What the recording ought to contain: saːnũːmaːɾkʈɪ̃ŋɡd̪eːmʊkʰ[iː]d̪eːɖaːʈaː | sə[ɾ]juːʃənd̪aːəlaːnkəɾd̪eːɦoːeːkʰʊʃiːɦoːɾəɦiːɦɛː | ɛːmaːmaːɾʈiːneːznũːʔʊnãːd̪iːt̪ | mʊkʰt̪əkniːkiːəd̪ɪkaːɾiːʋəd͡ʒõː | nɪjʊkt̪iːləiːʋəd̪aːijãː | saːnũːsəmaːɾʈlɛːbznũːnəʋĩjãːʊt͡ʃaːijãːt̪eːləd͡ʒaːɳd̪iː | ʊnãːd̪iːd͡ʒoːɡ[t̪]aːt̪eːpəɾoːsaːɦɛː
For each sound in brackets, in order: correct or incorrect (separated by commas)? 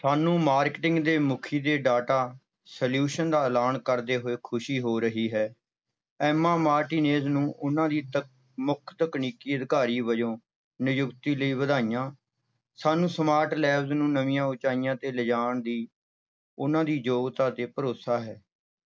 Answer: correct, incorrect, correct